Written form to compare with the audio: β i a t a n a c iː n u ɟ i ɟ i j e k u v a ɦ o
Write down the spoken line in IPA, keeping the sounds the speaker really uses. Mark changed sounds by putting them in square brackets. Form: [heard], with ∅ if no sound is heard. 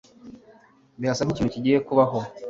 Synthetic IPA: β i a [s] a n [i] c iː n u [c] i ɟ i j e k u [β] a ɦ o